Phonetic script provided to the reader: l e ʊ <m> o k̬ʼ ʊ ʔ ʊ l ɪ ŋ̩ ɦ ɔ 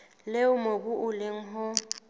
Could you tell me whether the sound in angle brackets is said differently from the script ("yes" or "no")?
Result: no